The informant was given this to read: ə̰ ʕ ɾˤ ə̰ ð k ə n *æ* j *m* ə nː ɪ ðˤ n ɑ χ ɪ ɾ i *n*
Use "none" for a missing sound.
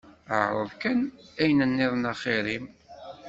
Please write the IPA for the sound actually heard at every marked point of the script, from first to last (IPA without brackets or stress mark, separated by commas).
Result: æ, n, m